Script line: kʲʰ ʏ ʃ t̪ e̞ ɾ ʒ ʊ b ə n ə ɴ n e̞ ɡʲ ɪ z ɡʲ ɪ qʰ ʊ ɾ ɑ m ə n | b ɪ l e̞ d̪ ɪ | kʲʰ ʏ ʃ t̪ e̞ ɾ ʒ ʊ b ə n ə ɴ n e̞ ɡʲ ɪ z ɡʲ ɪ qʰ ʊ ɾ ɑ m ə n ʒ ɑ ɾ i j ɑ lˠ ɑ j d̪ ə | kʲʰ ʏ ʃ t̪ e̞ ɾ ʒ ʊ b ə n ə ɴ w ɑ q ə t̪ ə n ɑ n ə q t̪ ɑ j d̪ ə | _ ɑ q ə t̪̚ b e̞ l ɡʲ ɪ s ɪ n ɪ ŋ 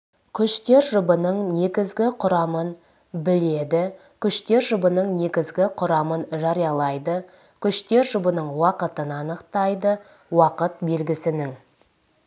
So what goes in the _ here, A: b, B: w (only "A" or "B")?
B